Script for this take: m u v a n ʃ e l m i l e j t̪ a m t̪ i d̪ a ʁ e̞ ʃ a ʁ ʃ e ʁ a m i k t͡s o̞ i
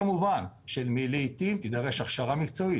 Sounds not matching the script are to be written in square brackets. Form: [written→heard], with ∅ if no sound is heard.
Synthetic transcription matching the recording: m u v a n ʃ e l m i l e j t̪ [a→i] m t̪ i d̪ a ʁ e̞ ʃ a [ʁ→χ] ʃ [e→a] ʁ a m i k t͡s o̞ i